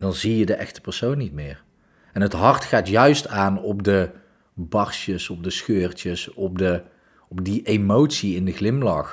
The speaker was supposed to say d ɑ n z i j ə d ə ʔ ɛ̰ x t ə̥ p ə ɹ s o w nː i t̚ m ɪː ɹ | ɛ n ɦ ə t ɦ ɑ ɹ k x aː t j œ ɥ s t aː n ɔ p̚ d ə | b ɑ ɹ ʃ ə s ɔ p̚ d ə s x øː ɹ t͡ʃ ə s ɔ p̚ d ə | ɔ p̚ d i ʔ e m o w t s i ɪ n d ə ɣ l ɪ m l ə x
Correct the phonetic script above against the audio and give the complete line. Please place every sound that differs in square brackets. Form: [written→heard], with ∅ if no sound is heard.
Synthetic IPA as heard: d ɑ n z i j ə d ə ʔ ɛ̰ x t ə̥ p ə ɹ s o w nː i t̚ m ɪː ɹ | ɛ n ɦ ə t ɦ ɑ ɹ [k→t] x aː t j œ ɥ s t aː n ɔ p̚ d ə | b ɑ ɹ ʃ ə s ɔ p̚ d ə s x øː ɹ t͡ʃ ə s ɔ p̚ d ə | ɔ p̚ d i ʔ e m o w t s i ɪ n d ə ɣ l ɪ m l [ə→ɑ] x